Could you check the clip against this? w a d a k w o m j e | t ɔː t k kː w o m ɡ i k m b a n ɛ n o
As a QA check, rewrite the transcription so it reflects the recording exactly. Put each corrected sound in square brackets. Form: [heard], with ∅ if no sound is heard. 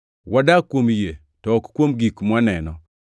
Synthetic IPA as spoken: w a d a k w o m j e | t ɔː [∅] k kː w o m ɡ i k m [w] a n ɛ n [ɔ]